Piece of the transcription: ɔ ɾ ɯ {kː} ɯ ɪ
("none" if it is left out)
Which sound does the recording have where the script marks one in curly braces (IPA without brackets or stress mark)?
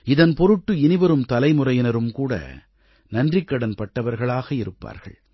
ʈː